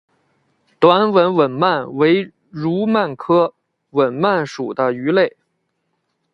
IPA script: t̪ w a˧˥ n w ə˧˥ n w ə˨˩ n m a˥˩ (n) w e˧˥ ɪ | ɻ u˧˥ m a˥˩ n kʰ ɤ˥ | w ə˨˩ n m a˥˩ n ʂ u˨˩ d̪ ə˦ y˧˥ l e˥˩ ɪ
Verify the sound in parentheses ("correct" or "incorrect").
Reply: correct